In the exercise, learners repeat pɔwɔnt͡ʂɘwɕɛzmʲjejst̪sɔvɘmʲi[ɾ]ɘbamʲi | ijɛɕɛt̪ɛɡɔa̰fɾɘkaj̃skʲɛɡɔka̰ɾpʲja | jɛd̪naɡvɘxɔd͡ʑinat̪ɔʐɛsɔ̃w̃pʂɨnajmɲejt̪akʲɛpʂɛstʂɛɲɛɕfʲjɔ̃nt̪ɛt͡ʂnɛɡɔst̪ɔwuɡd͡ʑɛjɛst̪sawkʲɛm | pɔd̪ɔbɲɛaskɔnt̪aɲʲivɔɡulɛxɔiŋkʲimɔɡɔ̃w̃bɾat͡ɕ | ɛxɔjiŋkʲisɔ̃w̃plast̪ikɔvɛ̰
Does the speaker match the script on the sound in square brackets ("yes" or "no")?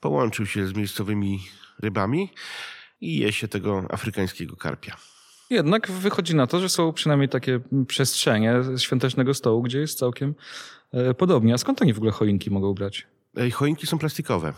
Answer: yes